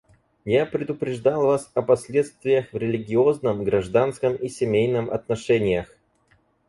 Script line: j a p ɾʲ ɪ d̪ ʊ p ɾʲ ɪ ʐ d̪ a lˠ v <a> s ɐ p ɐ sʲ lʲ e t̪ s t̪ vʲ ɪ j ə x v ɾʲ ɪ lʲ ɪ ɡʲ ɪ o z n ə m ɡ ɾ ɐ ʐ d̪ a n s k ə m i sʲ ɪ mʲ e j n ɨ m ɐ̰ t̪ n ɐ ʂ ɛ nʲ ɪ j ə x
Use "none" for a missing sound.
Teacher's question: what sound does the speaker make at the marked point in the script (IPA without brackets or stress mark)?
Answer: a